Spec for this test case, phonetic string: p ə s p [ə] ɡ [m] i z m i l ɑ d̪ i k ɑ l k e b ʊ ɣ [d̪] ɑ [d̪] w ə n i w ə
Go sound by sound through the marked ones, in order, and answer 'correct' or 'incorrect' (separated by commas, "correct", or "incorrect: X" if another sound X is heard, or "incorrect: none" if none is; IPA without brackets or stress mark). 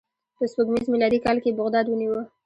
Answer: correct, correct, correct, correct